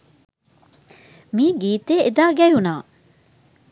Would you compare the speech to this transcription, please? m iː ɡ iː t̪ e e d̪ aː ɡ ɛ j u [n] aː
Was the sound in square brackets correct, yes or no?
yes